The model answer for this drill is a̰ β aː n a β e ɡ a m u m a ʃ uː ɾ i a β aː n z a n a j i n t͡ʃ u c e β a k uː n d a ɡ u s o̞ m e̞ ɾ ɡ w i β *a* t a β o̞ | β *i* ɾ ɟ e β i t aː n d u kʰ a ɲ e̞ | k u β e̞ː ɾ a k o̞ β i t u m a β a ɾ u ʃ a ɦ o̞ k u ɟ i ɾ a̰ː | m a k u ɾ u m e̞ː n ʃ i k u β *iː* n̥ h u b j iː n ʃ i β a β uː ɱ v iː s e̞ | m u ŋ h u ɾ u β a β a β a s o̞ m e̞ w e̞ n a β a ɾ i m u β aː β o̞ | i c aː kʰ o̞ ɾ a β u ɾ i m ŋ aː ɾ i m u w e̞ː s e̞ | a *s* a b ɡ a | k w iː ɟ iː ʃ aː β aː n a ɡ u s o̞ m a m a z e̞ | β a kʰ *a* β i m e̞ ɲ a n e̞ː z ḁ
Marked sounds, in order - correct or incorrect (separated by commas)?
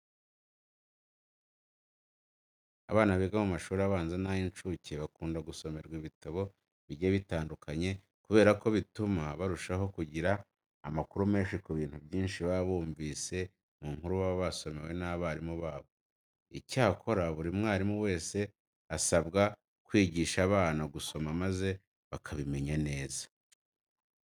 incorrect, correct, correct, correct, correct